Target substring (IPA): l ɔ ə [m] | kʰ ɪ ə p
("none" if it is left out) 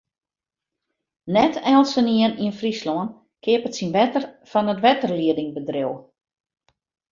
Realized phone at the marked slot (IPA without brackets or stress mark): n